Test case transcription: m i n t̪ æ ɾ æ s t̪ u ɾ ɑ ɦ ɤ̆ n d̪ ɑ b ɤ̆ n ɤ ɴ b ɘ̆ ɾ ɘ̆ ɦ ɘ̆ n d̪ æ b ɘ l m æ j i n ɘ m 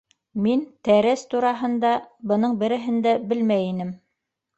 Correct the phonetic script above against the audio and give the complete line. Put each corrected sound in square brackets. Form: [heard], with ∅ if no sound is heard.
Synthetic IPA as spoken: m i n t̪ æ ɾ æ s t̪ u ɾ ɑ ɦ ɤ̆ n d̪ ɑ b ɤ̆ n ɤ ɴ b ɘ̆ ɾ ɘ̆ ɦ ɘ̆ n d̪ æ b ɘ l m æ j i n ɘ m